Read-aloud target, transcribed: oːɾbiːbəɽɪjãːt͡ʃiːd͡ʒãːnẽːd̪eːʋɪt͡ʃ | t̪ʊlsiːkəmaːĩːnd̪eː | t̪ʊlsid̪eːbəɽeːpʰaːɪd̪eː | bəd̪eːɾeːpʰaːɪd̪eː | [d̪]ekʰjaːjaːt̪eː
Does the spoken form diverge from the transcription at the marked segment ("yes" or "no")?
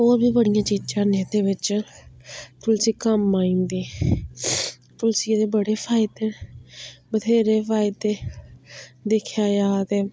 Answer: no